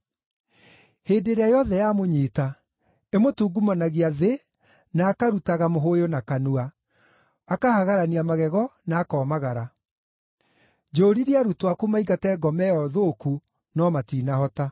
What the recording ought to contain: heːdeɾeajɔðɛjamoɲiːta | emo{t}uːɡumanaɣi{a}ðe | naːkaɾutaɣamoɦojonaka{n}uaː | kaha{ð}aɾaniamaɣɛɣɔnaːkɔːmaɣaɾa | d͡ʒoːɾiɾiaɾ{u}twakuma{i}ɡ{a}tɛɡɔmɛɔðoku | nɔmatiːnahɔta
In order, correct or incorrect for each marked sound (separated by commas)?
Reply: correct, correct, correct, incorrect, correct, correct, correct